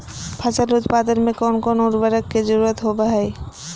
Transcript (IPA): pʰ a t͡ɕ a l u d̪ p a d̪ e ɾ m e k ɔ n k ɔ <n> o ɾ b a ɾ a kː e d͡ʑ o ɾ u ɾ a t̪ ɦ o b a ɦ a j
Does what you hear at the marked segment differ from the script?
no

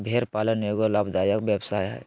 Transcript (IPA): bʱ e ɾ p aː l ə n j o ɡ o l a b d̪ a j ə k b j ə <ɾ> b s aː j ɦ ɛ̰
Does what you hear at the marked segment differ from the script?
yes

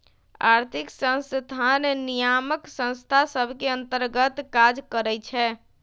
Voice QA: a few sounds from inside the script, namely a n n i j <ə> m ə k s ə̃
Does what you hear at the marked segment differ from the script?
yes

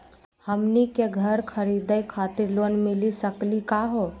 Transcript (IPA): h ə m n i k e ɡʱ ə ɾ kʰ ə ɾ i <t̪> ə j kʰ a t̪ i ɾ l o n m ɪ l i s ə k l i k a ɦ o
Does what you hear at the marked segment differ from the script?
yes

